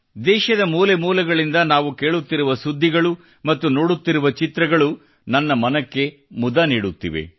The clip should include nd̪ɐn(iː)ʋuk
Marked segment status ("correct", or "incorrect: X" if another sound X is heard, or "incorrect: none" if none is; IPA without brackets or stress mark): incorrect: aː